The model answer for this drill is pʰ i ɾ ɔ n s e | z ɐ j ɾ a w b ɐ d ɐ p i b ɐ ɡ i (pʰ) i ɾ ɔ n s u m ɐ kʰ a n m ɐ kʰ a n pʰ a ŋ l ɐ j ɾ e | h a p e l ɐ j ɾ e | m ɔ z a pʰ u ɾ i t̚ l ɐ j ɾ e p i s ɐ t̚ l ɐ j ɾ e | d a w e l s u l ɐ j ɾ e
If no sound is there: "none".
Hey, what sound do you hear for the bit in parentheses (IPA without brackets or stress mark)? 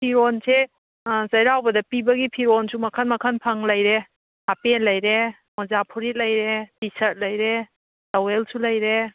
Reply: pʰ